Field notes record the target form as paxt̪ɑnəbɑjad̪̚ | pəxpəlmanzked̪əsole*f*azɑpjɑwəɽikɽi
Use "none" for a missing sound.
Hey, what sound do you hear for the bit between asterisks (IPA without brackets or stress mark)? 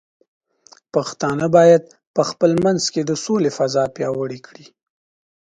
f